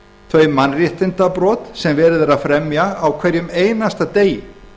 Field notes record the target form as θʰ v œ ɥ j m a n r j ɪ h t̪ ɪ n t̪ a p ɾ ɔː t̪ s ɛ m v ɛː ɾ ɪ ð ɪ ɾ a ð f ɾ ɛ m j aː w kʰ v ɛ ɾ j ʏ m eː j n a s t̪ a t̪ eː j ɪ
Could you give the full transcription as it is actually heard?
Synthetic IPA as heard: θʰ v œ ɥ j m a n r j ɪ h t̪ ɪ n t̪ a p ɾ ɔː t̪ s ɛ m v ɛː ɾ ɪ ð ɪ ɾ a ð f ɾ ɛ m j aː w kʰ v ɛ ɾ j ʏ m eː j n a s t̪ a t̪ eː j ɪ

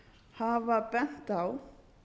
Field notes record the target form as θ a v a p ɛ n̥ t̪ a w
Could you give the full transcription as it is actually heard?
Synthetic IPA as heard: h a v a p ɛ n̥ t̪ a w

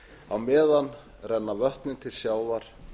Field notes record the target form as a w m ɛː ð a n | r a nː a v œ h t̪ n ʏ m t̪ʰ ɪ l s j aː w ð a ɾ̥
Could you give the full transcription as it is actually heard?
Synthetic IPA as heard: a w m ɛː ð a n | r ɛ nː a v œ h t̪ n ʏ n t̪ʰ ɪ l s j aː w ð a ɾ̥

